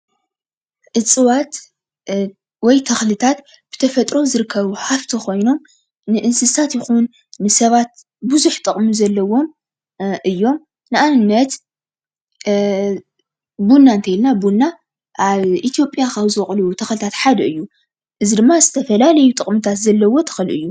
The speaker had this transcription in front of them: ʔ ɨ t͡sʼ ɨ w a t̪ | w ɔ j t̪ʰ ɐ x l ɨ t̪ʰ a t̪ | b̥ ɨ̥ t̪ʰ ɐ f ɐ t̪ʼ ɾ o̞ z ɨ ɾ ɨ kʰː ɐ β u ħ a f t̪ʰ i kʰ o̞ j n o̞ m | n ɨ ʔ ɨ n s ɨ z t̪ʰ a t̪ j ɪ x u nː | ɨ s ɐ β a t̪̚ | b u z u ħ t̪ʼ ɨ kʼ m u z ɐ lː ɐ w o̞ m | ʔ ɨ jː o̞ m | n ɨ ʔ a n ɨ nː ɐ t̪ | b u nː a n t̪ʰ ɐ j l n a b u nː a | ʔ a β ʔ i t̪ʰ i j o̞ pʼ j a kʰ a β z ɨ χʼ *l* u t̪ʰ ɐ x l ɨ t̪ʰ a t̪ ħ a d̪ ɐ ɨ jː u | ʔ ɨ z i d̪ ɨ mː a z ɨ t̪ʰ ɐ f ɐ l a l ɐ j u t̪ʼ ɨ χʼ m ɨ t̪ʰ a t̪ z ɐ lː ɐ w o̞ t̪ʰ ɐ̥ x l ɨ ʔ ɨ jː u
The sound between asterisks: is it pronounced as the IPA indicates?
yes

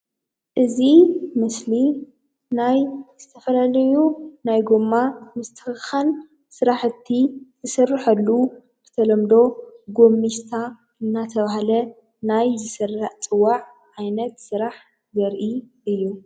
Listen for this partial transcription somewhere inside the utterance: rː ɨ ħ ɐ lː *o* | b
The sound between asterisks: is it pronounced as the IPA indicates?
no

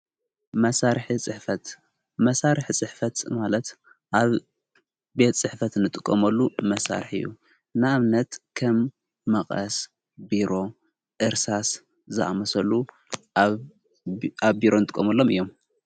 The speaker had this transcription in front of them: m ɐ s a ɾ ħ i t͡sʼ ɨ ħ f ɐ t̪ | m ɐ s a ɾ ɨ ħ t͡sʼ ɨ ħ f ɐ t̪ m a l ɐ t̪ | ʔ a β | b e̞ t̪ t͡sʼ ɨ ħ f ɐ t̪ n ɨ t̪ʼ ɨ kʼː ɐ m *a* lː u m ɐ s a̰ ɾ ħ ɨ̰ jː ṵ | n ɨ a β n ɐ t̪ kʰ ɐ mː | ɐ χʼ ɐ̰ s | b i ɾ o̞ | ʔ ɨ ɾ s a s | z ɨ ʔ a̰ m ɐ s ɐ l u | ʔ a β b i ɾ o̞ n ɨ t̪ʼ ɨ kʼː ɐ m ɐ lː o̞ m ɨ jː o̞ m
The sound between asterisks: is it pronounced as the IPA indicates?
no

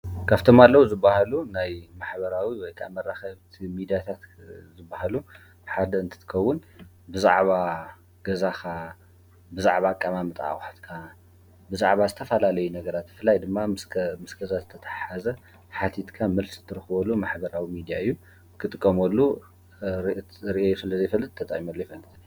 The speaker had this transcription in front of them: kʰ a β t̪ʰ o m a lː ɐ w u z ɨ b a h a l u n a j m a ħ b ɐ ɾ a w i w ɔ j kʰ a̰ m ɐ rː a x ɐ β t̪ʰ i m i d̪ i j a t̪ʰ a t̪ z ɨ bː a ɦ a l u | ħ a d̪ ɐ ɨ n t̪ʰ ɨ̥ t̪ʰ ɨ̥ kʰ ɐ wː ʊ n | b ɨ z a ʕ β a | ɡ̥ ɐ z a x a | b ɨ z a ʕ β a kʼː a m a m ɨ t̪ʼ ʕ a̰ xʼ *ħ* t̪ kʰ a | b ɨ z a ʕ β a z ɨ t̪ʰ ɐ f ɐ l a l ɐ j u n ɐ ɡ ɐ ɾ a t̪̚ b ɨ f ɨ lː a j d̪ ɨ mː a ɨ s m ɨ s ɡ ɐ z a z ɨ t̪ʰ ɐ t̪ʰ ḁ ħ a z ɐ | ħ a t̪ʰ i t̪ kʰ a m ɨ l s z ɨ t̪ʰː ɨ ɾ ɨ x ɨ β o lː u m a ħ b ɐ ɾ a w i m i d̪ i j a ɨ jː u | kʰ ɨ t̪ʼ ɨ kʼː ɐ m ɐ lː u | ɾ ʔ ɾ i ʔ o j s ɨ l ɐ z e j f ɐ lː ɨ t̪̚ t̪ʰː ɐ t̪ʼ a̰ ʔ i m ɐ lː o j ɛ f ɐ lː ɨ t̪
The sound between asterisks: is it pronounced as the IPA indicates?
yes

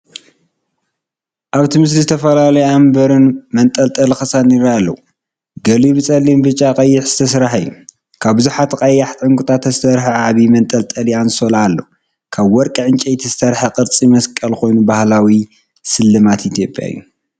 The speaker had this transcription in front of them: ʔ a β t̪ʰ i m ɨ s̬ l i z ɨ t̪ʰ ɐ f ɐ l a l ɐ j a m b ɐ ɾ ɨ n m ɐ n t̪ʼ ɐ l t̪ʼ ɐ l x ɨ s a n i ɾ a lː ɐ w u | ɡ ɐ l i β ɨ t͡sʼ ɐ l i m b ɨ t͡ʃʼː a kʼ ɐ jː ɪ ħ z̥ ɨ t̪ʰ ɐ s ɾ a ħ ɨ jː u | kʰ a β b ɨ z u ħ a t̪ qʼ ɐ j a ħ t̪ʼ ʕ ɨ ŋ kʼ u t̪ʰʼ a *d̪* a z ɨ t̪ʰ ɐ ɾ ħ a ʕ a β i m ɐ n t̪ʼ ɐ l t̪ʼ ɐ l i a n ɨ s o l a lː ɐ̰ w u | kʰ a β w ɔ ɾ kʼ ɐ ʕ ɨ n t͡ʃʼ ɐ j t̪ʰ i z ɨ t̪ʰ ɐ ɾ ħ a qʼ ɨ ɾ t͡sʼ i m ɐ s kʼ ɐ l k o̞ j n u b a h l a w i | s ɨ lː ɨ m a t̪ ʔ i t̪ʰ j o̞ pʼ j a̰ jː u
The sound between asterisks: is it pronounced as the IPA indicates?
no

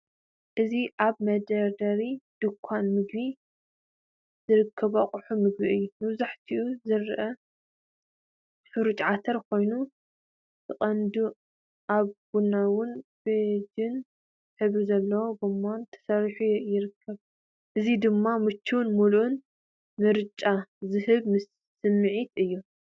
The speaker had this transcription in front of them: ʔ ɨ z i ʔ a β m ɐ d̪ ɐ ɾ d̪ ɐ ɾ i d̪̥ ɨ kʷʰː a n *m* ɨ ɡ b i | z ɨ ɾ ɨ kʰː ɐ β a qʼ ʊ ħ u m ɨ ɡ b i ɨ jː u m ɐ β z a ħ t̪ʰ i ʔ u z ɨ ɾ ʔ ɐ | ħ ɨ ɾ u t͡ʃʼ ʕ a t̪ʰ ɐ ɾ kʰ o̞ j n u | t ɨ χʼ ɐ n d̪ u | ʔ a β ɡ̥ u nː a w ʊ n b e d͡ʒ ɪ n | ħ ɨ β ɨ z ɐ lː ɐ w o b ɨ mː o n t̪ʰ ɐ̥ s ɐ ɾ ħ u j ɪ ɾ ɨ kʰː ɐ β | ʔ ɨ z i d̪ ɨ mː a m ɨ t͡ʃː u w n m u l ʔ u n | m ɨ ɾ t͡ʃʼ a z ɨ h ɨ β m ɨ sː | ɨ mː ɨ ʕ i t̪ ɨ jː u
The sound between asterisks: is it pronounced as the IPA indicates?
yes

